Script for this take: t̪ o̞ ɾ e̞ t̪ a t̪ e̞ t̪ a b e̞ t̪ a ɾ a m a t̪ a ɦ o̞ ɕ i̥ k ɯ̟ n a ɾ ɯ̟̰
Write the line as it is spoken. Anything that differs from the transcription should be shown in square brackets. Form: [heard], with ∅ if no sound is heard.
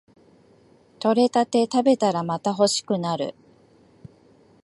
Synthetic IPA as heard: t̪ o̞ ɾ e̞ t̪ a t̪ e̞ t̪ a b e̞ t̪ a ɾ a m a t̪ a ɦ o̞ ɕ i̥ k ɯ̟ n a ɾ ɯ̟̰